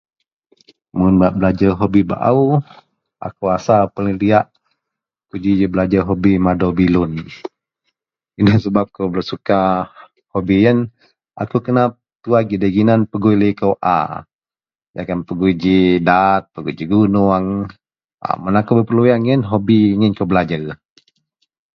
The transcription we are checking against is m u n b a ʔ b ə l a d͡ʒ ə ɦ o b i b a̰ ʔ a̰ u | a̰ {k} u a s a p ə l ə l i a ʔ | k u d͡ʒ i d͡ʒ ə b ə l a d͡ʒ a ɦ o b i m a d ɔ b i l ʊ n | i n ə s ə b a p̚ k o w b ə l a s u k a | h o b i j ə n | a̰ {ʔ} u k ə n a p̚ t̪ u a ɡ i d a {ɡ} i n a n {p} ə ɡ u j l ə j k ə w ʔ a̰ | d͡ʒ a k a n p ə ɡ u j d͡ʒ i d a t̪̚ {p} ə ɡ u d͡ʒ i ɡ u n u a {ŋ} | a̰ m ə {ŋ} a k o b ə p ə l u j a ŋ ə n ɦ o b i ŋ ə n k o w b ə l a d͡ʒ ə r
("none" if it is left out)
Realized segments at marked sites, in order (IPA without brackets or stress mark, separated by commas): k, k, ɡ, p, p, ŋ, n